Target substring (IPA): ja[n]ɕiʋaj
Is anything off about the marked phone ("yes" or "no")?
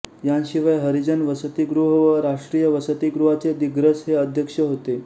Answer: no